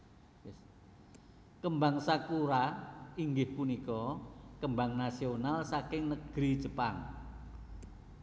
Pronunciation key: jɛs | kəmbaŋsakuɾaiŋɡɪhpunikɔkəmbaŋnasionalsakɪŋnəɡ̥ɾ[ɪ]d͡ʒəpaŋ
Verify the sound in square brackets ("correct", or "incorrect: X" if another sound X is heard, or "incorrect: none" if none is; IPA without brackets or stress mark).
incorrect: i